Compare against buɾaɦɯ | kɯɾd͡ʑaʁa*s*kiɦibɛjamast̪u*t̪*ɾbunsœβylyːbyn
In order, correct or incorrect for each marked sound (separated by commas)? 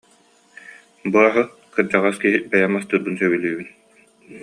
correct, incorrect